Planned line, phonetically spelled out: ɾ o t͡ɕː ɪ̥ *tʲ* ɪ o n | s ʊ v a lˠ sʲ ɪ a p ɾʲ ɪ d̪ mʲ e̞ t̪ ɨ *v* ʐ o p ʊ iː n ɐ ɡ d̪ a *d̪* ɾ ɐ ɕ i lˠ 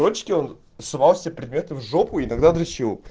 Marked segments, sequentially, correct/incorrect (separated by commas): incorrect, correct, correct